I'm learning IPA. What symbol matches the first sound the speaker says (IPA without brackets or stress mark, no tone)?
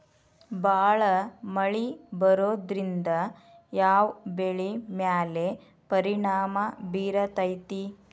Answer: b